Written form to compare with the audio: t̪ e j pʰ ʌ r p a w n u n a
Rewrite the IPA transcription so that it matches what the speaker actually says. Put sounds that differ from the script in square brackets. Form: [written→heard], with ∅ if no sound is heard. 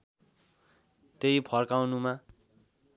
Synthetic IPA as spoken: t̪ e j pʰ ʌ r [p→k] a w n u [n→m] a